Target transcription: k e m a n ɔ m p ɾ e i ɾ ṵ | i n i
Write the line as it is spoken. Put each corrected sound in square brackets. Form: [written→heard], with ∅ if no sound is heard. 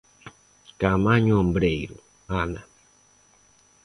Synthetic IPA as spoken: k [e→a] m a [n→ɲ] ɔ m [p→b] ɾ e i ɾ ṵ | [i→a] n [i→a]